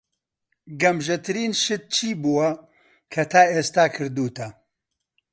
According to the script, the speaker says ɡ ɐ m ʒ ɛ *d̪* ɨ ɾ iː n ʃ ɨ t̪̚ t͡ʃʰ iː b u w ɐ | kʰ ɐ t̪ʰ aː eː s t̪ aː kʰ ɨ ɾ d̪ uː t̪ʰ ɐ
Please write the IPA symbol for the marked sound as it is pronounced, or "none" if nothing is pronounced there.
t̪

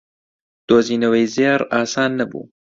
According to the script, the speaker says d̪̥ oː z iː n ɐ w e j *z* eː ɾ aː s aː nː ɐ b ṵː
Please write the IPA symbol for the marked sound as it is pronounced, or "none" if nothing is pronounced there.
z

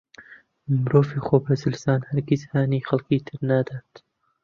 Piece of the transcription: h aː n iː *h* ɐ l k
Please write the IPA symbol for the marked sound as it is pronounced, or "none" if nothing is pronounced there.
x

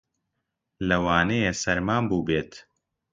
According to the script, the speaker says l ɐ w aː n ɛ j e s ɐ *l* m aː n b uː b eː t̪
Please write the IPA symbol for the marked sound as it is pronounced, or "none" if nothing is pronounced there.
ɾ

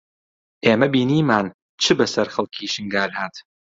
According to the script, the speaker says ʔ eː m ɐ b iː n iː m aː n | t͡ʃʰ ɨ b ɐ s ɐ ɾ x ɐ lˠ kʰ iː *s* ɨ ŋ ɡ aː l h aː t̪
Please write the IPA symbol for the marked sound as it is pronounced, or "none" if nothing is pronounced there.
ʃ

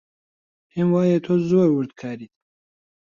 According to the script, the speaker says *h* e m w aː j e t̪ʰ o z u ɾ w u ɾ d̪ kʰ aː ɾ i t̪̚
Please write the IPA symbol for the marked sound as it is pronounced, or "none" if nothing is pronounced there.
h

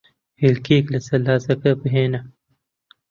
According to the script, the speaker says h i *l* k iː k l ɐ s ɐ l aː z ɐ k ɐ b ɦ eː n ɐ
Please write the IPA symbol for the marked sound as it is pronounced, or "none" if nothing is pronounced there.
l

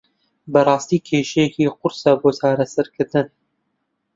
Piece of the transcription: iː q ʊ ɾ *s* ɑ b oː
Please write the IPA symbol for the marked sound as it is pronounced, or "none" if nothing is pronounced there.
s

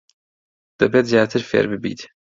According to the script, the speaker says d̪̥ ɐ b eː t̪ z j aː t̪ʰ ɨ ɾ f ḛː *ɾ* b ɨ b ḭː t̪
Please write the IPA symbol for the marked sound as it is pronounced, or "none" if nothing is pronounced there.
ɾ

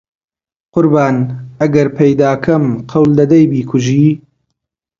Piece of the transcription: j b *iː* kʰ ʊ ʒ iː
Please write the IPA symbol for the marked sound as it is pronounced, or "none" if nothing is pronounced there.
iː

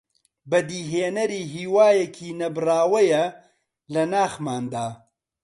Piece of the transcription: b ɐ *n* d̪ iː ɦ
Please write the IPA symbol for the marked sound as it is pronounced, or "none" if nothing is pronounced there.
none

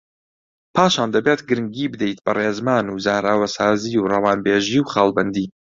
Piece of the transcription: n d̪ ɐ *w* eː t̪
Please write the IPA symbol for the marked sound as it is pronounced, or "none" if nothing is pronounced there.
b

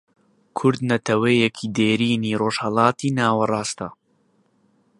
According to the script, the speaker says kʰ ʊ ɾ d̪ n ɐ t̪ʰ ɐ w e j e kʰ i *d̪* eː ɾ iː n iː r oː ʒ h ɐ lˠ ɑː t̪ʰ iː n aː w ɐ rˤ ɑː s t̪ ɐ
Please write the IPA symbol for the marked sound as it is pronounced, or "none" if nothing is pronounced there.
d̪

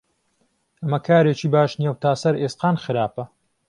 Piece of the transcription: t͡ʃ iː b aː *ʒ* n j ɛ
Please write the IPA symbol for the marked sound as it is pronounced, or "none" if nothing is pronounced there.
ʃ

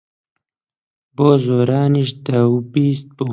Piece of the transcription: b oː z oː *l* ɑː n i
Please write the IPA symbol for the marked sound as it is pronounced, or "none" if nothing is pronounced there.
ɾ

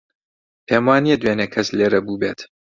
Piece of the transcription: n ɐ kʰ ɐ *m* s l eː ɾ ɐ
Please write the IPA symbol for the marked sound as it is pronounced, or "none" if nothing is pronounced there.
none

